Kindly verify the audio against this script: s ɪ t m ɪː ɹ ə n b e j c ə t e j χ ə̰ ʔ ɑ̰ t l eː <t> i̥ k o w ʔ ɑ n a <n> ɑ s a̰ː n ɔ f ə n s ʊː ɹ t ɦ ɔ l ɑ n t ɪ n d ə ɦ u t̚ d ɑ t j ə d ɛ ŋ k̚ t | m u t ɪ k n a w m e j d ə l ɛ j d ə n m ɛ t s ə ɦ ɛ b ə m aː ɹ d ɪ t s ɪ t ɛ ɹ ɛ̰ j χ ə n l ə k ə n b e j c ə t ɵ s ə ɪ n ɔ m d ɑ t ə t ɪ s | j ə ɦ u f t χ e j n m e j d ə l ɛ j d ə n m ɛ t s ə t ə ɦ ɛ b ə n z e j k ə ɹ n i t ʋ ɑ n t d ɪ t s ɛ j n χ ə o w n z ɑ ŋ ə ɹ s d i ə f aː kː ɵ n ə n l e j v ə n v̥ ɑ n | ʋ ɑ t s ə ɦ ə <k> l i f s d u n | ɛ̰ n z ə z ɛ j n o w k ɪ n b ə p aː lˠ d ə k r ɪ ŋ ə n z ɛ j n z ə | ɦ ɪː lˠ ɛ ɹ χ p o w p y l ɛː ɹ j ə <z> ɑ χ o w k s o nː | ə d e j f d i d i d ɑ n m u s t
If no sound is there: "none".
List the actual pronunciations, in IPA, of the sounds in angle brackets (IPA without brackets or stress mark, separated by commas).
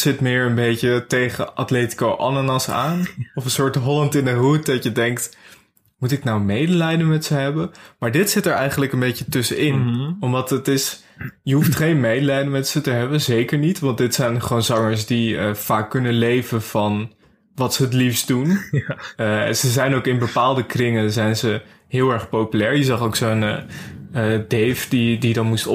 t, n, t, z